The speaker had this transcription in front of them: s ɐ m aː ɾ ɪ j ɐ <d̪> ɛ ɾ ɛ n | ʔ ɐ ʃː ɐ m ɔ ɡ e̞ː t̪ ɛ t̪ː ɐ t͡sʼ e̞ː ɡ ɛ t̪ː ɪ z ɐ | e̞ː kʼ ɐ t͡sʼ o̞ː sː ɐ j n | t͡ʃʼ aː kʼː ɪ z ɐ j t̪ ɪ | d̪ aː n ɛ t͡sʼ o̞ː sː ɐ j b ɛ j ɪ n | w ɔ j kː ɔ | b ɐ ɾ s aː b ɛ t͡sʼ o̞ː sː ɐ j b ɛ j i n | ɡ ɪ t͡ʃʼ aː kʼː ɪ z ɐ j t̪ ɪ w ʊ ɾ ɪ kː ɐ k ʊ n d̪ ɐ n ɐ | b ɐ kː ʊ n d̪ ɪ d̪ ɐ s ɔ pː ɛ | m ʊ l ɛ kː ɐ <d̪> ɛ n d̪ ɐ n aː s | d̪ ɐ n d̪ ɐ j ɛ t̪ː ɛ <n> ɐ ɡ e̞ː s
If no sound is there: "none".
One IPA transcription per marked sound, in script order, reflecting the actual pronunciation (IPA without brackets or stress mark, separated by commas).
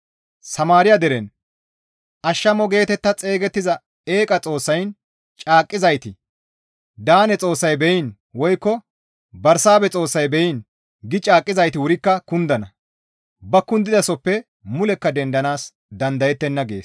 d̪, d̪, nː